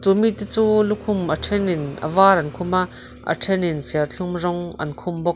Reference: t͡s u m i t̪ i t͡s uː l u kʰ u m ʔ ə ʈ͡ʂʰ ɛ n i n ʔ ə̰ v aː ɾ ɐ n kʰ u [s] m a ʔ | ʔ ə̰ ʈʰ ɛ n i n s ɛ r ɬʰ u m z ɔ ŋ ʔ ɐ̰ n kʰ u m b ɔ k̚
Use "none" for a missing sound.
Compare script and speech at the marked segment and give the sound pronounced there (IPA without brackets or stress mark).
none